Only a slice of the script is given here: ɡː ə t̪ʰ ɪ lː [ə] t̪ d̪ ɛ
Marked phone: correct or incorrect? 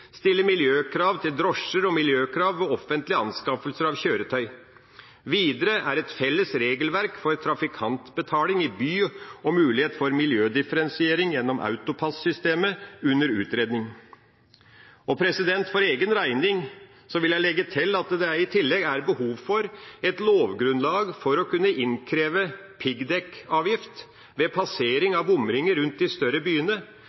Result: incorrect